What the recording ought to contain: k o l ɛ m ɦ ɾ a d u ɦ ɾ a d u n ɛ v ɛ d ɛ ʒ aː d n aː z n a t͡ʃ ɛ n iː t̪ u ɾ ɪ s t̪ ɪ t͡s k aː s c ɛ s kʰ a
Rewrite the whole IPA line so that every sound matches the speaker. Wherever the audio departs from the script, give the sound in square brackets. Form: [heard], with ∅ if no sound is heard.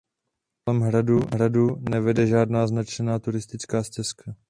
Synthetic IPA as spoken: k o l ɛ m ɦ ɾ a d u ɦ ɾ a d u n ɛ v ɛ d ɛ ʒ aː d n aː z n a t͡ʃ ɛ n [aː] t̪ u ɾ ɪ s t̪ ɪ t͡s k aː s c ɛ s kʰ a